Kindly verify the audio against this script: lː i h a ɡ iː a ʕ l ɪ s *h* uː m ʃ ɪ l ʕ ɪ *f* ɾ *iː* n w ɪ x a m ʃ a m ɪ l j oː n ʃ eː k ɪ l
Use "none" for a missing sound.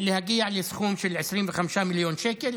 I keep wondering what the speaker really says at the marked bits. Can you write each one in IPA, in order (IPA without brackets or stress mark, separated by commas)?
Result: x, ʃ, iː